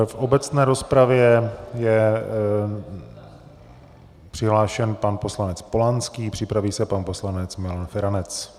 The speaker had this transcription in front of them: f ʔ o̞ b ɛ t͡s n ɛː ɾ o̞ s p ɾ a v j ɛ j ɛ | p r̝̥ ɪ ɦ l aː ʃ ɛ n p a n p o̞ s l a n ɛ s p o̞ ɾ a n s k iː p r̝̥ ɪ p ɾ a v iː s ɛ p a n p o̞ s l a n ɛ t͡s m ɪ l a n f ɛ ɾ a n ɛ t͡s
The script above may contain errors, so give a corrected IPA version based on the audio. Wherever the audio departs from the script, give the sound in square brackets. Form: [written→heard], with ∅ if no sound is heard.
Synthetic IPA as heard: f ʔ o̞ b ɛ t͡s n ɛː ɾ o̞ s p ɾ a v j ɛ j ɛ | p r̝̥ ɪ ɦ l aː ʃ ɛ n p a n p o̞ s l a n ɛ [s→t͡s] p o̞ [ɾ→l] a n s k iː p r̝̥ ɪ p ɾ a v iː s ɛ p a n p o̞ s l a n ɛ t͡s m ɪ l a n f ɛ ɾ a n ɛ t͡s